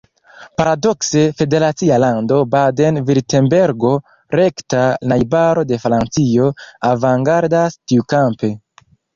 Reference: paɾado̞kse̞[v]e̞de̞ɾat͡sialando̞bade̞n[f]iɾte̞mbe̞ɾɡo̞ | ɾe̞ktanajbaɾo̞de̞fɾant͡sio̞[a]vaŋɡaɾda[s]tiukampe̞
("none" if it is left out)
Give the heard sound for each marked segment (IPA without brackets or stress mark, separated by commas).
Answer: f, v, a, s